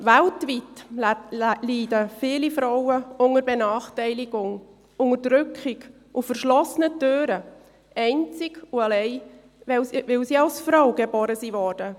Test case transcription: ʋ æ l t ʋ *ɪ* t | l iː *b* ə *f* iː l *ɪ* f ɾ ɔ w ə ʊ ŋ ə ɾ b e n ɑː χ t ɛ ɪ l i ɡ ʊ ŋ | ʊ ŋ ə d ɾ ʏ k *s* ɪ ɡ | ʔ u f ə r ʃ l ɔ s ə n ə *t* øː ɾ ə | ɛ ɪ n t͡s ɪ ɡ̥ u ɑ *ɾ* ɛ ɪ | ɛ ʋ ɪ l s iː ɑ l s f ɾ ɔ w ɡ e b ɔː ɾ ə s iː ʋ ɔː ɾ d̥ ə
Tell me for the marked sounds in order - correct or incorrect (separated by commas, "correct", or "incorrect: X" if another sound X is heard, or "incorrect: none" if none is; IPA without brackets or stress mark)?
incorrect: i, incorrect: d, correct, incorrect: i, incorrect: χ, correct, incorrect: l